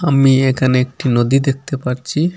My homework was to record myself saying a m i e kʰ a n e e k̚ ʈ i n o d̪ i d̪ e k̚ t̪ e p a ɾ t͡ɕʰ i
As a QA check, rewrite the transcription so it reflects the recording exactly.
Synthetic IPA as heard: a m i e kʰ a n e e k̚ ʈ i n o d̪ i d̪ e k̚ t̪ e p a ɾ t͡ɕʰ i